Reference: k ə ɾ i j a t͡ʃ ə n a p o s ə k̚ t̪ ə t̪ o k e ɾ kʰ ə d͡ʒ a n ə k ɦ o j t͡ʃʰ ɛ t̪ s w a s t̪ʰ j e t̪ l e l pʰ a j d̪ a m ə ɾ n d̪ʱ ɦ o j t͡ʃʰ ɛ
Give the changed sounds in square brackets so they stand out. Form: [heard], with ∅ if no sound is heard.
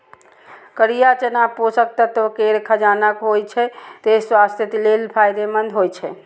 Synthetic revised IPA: k ə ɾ i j a t͡ʃ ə n a p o s ə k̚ t̪ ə t̪ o k e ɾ kʰ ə d͡ʒ a n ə k ɦ o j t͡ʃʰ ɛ t̪ s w a s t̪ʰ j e t̪ l e l pʰ a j d̪ [e] m ə [∅] n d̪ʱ ɦ o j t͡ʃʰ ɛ